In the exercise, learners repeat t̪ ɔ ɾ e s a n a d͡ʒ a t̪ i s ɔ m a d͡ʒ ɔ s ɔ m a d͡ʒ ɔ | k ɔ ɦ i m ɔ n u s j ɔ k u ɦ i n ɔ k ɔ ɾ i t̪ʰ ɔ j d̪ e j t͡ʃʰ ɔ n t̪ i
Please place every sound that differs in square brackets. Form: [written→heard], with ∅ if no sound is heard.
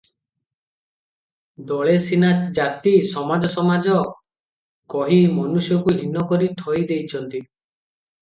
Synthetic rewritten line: [t̪→d̪] ɔ [ɾ→ɭ] e s [a→i] n a d͡ʒ a t̪ i s ɔ m a d͡ʒ ɔ s ɔ m a d͡ʒ ɔ | k ɔ ɦ i m ɔ n u s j ɔ k u ɦ i n ɔ k ɔ ɾ i t̪ʰ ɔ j d̪ e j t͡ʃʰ ɔ n t̪ i